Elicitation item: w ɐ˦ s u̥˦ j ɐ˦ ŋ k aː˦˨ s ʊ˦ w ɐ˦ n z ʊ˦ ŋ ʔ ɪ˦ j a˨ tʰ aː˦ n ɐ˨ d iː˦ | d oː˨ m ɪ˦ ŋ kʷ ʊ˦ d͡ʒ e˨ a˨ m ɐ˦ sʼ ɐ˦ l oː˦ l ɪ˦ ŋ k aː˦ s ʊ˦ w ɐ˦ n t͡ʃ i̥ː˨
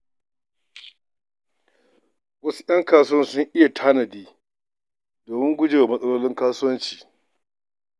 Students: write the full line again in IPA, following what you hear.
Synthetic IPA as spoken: w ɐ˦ s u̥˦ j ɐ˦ ŋ k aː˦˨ s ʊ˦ w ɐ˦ n s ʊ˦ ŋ ʔ ɪ˦ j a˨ tʰ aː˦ n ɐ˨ d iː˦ | d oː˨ m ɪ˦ ŋ ɡʷ ʊ˦ d͡ʒ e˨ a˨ m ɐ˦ sʼ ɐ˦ l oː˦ l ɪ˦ ŋ k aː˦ s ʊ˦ w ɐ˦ n t͡ʃ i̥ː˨